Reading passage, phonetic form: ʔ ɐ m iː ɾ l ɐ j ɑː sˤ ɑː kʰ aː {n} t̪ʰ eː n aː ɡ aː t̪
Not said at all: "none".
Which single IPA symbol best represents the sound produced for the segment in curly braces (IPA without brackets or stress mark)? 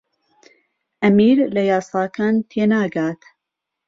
n